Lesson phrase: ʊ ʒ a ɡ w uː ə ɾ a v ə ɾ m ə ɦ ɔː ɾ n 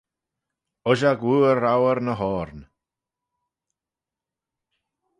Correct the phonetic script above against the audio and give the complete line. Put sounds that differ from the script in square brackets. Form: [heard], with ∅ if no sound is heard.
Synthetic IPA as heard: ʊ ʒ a ɡ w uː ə ɾ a [w] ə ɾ [n] ə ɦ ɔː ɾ n